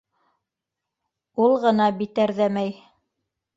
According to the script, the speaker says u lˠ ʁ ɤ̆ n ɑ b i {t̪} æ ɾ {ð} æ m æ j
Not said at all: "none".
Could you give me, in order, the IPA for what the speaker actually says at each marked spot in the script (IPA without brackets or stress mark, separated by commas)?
t̪, ð